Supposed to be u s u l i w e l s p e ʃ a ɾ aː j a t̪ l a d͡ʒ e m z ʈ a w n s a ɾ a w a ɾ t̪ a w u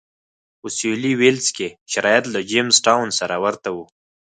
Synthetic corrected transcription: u s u l i w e l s k e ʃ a ɾ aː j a t̪ l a d͡ʒ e m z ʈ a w n s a ɾ a w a ɾ t̪ a w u

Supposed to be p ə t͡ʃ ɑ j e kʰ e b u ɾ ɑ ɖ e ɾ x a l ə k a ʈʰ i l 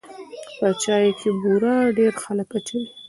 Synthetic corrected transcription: p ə t͡ʃ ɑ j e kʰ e b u ɾ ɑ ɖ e ɾ x a l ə k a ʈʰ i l

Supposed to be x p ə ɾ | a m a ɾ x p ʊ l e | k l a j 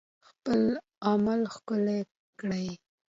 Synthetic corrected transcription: x p ə l | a m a l x k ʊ l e | k ɽ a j

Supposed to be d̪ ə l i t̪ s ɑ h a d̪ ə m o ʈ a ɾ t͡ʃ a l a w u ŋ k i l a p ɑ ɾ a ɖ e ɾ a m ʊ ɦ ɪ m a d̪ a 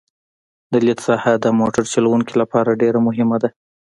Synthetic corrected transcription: d̪ ə l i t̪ s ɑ h a d̪ ə m o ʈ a ɾ t͡ʃ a l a w u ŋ k i l a p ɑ ɾ a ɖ e ɾ a m ʊ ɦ ɪ m a d̪ a

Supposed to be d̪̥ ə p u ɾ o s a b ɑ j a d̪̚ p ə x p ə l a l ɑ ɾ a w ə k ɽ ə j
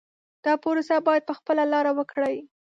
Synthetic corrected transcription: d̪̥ ɑ p o ɾ o s a b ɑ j a d̪̚ p ə x p ə l a l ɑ ɾ a w ə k ɽ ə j

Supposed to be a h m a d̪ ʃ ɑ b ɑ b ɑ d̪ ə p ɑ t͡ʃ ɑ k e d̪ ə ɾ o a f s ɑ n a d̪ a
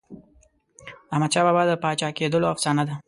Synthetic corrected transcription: a h m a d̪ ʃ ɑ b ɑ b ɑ d̪ ə p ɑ t͡ʃ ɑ k e d̪ ə l o a f s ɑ n a d̪ a

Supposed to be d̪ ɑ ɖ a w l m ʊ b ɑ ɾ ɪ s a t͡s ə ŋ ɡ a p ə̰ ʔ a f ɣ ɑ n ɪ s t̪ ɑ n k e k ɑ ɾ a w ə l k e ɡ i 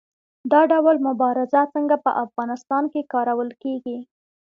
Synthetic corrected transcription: d̪ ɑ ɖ a w l m ʊ b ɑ ɾ ɪ z a t͡s ə ŋ ɡ a p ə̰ ʔ a f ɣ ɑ n ɪ s t̪ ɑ n k e k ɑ ɾ a w ə l k e ɡ i

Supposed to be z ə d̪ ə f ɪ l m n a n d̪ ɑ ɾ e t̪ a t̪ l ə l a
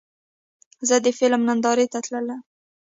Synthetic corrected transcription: z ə d̪ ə f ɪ l m n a n d̪ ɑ ɾ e t̪ a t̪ l ə l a

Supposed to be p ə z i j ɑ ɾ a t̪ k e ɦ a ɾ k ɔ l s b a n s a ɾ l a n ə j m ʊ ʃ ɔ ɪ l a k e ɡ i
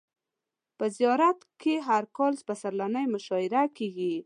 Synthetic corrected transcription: p ə z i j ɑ ɾ a t̪ k e ɦ a ɾ k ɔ l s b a s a ɾ l a n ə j m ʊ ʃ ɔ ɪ ɾ a k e ɡ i

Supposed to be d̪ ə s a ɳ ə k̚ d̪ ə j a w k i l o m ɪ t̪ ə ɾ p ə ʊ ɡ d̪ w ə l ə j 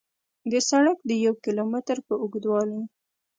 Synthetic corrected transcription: d̪ ə s a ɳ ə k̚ d̪ ə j a w k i l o m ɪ t̪ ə ɾ p ə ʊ ɡ d̪ w ɑ l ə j

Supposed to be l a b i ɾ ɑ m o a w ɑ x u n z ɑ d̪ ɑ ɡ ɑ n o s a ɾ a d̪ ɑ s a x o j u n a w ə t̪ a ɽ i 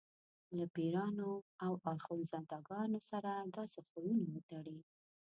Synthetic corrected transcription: l a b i ɾ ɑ n o a w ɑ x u n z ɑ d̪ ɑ ɡ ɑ n o s a ɾ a d̪ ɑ s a x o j u n a w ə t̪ a ɽ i

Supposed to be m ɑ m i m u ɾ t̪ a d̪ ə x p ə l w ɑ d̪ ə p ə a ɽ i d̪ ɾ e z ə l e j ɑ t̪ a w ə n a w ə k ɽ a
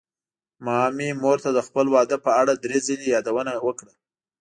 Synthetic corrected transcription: m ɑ m i m o ɾ t̪ a d̪ ə x p ə l w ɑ d̪ ə p ə a ɽ a d̪ ɾ e z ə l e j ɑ d̪ a w ə n a w ə k ɽ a

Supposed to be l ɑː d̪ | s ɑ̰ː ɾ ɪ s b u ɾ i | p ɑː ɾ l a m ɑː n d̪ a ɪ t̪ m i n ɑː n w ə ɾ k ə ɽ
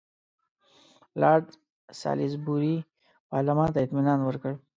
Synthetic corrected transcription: l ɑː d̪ | s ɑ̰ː l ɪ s b u ɾ i | p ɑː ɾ l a m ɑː n t̪ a ɪ t̪ m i n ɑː n w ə ɾ k ə ɽ

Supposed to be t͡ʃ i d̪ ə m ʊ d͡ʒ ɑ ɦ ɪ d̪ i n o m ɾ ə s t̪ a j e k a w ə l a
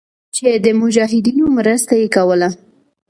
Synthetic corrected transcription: t͡ʃ e d̪ ə m ʊ d͡ʒ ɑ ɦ ɪ d̪ i n o m ɾ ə s t̪ a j e k a w ə l a

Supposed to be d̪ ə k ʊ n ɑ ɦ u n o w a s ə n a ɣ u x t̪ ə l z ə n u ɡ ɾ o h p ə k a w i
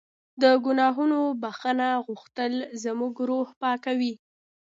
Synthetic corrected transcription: d̪ ə ɡ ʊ n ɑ ɦ u n o b a x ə n a ɣ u x t̪ ə l z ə m u ɡ ɾ o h p ɑ k a w i

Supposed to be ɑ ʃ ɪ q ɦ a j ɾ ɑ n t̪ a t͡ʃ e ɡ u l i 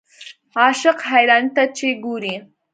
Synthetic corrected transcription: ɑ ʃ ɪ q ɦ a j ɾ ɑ n t̪ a t͡ʃ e ɡ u ɾ i

